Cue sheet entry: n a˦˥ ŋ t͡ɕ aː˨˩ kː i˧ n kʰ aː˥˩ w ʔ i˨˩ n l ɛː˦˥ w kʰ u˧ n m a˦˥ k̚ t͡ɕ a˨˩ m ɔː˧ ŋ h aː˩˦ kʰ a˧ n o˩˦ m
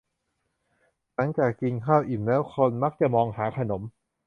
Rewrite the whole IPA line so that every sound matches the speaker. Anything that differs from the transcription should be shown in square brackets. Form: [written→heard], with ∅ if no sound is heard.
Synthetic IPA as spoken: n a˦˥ ŋ t͡ɕ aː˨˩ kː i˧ n kʰ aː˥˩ w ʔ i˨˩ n l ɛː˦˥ w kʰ [u˧→o˧] n m a˦˥ k̚ t͡ɕ a˨˩ m ɔː˧ ŋ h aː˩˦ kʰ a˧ n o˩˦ m